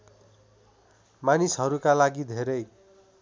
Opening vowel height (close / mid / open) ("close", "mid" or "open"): open